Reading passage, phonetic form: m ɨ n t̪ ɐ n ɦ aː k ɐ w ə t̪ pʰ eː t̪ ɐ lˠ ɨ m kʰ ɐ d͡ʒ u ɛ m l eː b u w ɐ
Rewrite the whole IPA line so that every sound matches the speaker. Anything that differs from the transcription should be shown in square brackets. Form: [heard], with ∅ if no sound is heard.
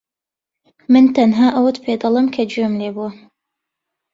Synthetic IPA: m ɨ n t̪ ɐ n ɦ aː [ʔ] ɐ w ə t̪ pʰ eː [d̪] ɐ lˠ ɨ m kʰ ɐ d͡ʒ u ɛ m l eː b u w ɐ